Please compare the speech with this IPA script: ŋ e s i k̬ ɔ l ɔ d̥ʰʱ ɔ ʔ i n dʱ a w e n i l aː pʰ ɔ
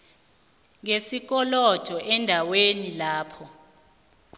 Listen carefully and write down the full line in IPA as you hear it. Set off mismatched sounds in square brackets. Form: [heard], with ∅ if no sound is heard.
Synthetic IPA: ŋ e s i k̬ ɔ l ɔ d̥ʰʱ ɔ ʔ [ɛ] n dʱ a w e n i l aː pʰ ɔ